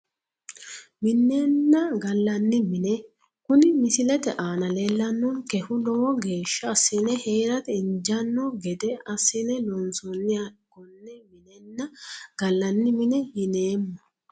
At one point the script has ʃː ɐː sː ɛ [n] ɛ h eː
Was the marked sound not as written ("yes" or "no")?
no